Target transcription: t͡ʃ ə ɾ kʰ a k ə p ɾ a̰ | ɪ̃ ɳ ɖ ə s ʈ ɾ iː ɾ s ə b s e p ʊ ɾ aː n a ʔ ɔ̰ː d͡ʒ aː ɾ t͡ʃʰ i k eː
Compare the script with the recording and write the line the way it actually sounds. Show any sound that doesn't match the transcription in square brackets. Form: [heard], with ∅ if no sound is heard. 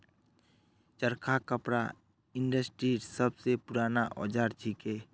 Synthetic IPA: t͡ʃ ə ɾ kʰ a k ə p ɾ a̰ | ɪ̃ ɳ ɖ ə s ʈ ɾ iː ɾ s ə b s e p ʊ ɾ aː n a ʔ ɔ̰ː d͡ʒ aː ɾ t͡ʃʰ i k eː